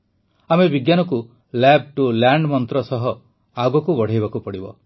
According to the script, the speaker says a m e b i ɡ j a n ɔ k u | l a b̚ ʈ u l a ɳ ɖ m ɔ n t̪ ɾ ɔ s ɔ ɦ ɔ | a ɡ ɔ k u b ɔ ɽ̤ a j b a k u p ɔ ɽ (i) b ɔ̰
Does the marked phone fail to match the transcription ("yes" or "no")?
no